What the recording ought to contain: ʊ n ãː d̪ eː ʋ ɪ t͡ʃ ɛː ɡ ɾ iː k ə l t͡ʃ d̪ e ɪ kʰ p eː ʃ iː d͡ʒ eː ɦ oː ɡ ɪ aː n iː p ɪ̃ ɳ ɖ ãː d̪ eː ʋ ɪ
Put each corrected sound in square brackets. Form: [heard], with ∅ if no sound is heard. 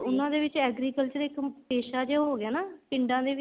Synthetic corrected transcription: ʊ n ãː d̪ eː ʋ ɪ t͡ʃ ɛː ɡ ɾ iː k ə l t͡ʃ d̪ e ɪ [k] p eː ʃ [aː] d͡ʒ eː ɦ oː ɡ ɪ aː n [aː] p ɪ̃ ɳ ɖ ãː d̪ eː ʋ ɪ